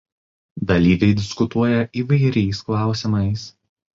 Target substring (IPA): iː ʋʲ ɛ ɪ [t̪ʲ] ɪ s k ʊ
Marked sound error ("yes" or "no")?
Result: yes